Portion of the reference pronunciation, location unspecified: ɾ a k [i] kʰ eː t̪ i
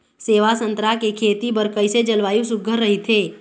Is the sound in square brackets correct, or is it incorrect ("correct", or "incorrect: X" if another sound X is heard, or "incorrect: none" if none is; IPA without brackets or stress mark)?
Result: incorrect: e